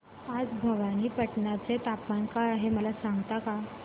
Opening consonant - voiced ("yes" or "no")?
yes